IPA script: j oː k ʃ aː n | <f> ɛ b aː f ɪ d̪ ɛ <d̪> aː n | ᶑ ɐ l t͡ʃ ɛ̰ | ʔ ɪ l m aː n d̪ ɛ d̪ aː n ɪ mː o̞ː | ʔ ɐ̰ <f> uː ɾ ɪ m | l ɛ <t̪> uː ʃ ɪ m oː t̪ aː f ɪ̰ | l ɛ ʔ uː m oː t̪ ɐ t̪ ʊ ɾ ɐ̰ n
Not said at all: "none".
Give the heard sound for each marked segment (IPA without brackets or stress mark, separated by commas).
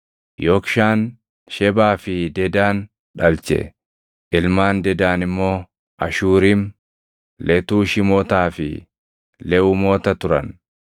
ʃ, d̪, ʃ, t̪